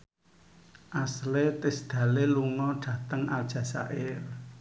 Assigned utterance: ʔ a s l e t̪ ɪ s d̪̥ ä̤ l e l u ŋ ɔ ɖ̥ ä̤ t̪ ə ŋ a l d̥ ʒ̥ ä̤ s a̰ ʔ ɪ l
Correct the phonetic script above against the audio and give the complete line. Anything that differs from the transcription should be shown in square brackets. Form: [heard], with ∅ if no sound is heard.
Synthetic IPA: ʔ a s l e t̪ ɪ s d̪̥ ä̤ l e l u ŋ ɔ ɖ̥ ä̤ t̪ ə ŋ a l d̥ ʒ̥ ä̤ s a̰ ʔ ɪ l